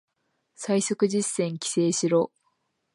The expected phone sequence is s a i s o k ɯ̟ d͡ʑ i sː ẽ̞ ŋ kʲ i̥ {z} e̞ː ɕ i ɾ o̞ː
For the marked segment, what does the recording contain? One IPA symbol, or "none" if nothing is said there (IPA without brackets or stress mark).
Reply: s